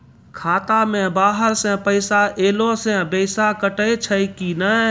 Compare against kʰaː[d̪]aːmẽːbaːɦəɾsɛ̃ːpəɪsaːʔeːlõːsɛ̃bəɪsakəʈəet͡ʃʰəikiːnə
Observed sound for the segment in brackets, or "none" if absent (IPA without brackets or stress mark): t̪